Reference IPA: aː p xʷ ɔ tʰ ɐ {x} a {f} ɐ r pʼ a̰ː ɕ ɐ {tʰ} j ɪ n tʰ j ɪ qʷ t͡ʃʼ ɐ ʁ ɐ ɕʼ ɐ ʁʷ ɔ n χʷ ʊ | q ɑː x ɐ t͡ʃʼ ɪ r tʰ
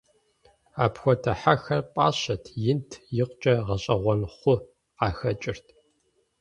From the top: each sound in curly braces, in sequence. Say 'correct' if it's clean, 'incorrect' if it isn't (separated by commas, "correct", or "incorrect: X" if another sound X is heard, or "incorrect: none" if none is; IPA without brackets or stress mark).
incorrect: ħ, incorrect: x, correct